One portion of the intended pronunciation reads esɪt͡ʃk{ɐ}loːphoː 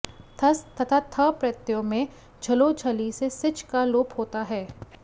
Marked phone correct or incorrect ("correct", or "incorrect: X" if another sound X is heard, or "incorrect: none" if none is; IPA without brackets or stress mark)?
incorrect: a